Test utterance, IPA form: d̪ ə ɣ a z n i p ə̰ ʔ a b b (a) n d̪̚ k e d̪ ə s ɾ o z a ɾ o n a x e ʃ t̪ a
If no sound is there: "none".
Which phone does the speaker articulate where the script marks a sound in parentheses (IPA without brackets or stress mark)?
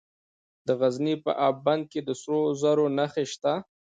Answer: a